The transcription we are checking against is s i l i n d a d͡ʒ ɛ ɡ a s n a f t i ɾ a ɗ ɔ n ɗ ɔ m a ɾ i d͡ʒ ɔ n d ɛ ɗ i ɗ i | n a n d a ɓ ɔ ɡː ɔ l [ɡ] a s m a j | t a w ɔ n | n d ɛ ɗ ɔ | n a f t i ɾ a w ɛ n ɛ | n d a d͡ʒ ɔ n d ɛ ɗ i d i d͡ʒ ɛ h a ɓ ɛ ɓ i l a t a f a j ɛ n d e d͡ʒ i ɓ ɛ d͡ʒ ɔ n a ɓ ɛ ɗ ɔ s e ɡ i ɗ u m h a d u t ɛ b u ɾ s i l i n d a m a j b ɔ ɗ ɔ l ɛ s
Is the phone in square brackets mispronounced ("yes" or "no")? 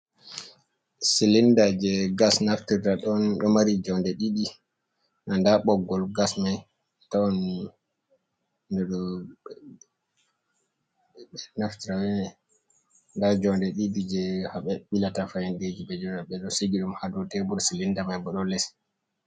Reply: no